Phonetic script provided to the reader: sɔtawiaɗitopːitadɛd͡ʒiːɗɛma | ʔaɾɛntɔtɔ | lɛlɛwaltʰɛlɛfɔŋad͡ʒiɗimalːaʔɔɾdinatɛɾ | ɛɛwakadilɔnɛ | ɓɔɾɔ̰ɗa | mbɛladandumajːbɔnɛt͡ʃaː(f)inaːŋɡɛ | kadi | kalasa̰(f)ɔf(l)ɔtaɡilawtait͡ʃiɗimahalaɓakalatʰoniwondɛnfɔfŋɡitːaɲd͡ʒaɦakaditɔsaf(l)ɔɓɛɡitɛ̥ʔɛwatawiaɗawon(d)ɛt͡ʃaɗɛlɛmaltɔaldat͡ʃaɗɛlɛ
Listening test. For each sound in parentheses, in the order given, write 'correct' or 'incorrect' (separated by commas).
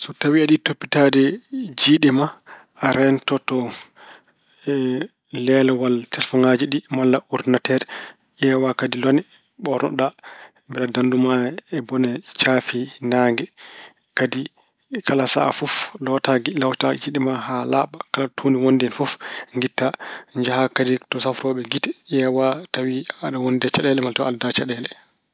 correct, correct, correct, incorrect, correct